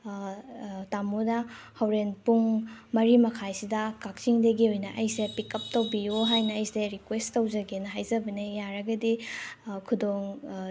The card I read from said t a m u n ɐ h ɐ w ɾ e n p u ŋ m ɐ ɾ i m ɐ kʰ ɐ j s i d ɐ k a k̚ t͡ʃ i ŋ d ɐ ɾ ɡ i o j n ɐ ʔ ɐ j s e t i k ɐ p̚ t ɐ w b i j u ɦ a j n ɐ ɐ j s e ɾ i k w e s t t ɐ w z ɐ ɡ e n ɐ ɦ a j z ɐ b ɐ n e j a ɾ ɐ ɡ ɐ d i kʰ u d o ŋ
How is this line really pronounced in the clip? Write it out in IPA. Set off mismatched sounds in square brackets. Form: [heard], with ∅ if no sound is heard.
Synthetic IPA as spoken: t a m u n ɐ h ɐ w ɾ e n p u ŋ m ɐ ɾ i m ɐ kʰ [a] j s i d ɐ k a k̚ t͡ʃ i ŋ d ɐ [∅] ɡ i o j n ɐ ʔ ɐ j s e [p] i k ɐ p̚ t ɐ w b i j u ɦ a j n ɐ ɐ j s e ɾ i k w e s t t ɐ w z ɐ ɡ e n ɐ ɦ a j z ɐ b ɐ n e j a ɾ ɐ ɡ ɐ d i kʰ u d o ŋ

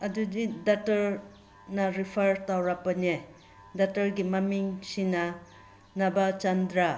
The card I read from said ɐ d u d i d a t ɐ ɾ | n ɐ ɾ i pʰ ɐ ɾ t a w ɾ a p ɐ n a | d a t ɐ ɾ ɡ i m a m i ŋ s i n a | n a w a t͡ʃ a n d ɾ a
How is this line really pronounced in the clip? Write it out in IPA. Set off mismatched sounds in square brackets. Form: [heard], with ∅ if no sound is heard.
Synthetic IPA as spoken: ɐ d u d i d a t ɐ ɾ | n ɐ ɾ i pʰ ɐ ɾ t a w ɾ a p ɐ n [e] | d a t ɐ ɾ ɡ i m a m i ŋ s i n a | n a [b] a t͡ʃ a n d ɾ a

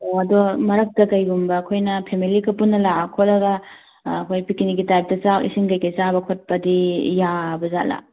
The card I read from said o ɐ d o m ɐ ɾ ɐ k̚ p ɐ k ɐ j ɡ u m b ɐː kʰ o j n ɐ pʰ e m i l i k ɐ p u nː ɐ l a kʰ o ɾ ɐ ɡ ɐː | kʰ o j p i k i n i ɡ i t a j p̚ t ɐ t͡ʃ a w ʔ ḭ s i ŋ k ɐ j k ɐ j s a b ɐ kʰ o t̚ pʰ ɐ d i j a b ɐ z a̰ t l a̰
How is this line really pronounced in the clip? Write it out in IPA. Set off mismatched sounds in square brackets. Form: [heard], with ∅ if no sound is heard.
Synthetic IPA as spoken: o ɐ d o m ɐ ɾ ɐ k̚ [t] ɐ k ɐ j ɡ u m b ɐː kʰ o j n ɐ pʰ e m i l i k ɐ p u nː ɐ l a kʰ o [l] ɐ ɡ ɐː | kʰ o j p i k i n i ɡ i t a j p̚ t ɐ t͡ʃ a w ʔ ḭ s i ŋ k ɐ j k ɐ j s a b ɐ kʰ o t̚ [p] ɐ d i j a b ɐ z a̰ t l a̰

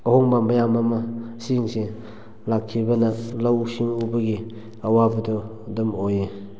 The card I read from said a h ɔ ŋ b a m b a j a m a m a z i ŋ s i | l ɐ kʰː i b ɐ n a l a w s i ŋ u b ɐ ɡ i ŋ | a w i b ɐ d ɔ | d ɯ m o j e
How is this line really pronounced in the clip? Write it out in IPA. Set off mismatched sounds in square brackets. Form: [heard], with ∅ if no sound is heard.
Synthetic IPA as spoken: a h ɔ ŋ b a m b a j a m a m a [s] i ŋ s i | l [a] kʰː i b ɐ n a l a w s i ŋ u b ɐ ɡ i [∅] | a w [a] b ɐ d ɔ | d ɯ m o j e

